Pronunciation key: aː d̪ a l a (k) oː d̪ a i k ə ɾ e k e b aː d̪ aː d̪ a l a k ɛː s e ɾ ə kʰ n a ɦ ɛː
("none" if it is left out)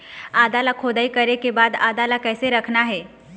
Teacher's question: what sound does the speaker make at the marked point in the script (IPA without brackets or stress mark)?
kʰ